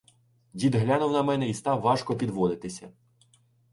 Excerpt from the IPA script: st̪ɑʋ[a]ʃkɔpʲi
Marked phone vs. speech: incorrect: ɑ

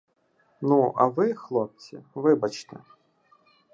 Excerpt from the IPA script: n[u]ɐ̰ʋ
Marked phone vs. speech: correct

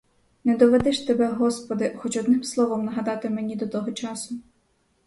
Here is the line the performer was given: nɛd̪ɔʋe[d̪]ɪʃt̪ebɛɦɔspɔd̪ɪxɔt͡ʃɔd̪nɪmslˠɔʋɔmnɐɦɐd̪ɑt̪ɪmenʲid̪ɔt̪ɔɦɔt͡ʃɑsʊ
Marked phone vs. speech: correct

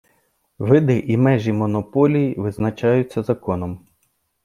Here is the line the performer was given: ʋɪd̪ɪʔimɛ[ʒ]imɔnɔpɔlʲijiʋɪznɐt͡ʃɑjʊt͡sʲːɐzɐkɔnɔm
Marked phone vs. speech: correct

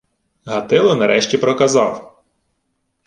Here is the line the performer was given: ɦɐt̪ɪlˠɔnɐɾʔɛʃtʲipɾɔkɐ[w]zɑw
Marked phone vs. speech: incorrect: none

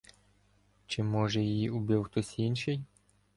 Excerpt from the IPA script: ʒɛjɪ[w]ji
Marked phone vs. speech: incorrect: none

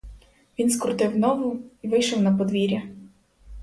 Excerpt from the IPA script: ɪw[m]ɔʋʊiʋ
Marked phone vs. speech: incorrect: n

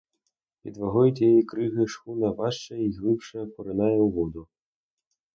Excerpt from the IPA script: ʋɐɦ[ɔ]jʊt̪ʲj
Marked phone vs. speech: correct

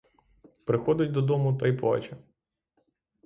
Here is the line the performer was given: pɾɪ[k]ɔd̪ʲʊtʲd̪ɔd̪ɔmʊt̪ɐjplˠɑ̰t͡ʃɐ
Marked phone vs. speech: incorrect: x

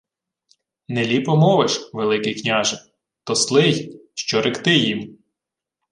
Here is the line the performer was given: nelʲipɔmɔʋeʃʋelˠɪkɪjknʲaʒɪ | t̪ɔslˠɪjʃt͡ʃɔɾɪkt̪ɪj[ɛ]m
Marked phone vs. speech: incorrect: i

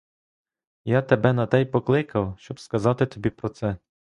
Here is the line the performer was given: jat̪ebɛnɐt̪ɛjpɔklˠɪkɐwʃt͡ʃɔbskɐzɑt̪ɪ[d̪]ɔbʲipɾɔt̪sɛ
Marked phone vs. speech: incorrect: t̪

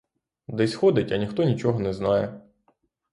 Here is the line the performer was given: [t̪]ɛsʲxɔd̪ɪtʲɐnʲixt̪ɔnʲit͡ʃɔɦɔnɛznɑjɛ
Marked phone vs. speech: incorrect: d̪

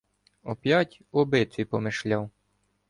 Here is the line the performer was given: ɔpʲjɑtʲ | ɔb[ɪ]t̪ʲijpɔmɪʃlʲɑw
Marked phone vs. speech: correct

